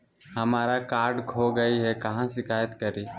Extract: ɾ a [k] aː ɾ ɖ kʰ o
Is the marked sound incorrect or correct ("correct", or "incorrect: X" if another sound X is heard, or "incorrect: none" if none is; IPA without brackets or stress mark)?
correct